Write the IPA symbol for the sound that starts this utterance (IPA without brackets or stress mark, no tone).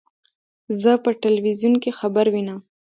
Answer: z